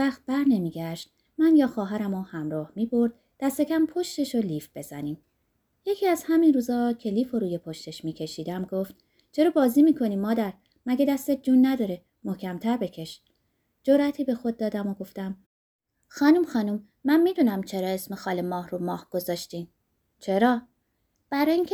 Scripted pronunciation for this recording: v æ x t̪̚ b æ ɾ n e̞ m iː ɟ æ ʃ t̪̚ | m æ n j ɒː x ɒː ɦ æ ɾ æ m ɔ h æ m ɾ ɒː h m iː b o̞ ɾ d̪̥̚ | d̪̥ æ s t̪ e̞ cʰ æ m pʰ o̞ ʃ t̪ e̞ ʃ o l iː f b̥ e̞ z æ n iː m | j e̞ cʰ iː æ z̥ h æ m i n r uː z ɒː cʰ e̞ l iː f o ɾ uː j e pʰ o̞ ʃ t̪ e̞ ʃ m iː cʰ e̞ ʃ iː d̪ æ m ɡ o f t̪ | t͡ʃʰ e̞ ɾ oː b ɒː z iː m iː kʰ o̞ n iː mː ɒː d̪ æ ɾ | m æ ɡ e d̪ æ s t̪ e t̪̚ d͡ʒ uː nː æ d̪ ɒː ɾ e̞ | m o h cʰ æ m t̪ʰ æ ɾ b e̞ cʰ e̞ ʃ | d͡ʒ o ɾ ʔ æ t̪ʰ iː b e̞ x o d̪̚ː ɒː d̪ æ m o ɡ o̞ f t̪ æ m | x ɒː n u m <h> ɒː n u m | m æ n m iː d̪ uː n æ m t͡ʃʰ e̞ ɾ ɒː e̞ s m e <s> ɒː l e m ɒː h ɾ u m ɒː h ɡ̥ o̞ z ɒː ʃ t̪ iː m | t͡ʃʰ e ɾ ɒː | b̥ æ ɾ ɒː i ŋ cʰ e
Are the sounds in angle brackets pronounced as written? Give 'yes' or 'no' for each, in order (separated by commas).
no, no